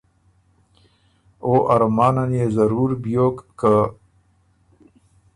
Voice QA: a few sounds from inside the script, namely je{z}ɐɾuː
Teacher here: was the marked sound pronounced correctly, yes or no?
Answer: yes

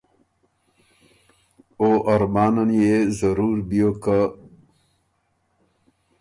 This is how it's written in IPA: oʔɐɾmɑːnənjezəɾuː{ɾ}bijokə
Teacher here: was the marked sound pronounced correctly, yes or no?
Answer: yes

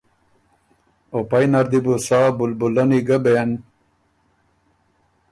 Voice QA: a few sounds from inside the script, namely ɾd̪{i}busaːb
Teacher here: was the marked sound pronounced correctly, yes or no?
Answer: yes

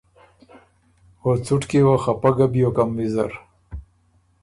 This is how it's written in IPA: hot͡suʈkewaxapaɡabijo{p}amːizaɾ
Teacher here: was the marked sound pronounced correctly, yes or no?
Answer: no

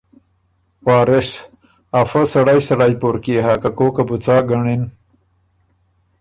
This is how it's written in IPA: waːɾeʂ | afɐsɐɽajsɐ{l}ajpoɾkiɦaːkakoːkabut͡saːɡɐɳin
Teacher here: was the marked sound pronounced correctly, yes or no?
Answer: no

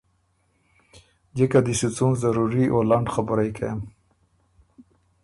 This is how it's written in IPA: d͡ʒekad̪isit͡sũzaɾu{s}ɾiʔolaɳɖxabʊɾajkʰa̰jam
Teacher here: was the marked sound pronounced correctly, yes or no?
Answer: no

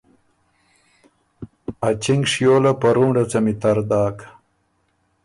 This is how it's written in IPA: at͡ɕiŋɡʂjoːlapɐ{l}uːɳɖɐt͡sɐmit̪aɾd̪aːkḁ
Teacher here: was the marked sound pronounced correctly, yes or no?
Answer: no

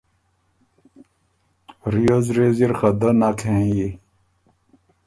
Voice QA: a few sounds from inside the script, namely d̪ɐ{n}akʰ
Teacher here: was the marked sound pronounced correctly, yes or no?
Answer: yes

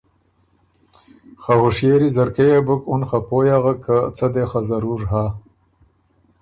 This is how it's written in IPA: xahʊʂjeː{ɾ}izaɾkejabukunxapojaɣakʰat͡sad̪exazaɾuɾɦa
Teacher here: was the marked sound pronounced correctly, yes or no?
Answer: yes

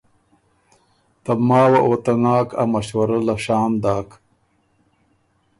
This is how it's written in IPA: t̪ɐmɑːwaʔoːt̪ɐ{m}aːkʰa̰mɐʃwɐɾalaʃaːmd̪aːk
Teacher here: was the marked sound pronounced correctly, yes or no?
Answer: no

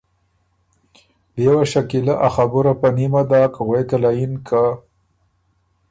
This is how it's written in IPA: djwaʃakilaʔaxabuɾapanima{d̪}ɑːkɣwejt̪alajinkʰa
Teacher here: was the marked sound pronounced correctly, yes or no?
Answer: yes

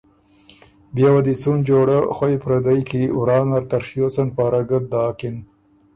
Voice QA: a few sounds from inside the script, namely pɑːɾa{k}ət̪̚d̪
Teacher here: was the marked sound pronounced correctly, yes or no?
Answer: no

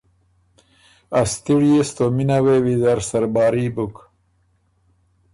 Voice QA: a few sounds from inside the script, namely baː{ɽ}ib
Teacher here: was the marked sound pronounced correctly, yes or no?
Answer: no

